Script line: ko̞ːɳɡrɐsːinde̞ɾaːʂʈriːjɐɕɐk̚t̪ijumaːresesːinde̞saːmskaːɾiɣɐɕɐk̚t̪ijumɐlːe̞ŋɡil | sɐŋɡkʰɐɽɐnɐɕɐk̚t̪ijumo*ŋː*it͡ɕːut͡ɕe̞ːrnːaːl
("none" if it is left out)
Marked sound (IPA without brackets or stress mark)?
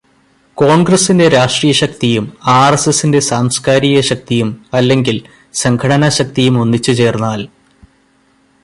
nː